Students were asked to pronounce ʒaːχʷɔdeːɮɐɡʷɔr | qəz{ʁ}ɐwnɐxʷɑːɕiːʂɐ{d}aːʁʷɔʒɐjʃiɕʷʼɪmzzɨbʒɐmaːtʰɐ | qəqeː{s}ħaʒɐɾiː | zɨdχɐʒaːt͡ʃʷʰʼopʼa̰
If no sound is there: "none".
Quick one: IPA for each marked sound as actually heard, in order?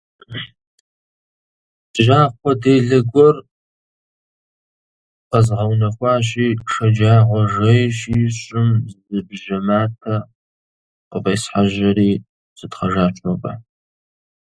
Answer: ʁ, d͡ʒ, s

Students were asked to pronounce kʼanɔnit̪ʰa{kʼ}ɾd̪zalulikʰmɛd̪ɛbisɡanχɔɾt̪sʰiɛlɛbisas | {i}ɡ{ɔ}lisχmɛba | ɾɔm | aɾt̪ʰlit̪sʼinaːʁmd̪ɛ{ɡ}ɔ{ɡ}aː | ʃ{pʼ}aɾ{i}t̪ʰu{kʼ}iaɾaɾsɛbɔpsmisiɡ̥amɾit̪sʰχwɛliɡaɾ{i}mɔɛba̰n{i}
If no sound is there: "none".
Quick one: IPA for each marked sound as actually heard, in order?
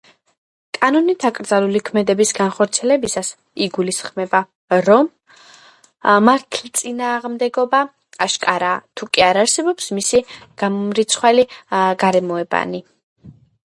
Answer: kʼ, i, u, ɡ, b, kʼ, a, kʼ, ɛ, i

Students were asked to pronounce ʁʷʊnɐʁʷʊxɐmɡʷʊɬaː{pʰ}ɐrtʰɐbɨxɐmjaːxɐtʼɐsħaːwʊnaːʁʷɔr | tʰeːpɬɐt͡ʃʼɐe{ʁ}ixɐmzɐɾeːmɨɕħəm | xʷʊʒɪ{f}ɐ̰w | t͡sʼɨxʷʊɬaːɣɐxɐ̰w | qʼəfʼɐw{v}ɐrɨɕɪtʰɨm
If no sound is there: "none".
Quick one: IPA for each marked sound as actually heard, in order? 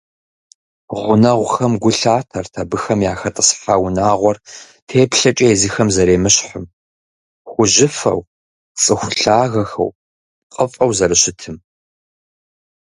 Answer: tʰ, z, f, z

